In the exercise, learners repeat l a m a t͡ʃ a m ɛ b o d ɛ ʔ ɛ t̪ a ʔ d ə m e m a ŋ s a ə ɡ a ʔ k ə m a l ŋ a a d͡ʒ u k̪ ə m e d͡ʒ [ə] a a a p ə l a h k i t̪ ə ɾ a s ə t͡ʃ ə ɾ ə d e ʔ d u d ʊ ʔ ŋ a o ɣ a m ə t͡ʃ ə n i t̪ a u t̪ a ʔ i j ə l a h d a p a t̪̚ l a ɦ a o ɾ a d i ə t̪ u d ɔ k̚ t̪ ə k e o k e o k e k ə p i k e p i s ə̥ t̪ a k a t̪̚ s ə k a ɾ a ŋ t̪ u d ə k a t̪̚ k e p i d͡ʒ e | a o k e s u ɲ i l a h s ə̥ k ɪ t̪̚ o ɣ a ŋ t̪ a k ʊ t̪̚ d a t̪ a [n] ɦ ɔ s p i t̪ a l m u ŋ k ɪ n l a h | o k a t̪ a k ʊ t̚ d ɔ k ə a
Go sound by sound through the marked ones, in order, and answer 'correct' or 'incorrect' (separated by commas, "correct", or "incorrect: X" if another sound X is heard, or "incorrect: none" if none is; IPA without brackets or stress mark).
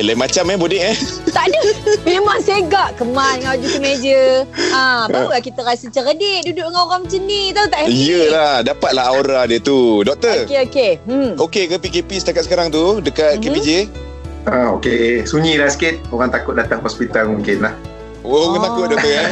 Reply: correct, incorrect: ŋ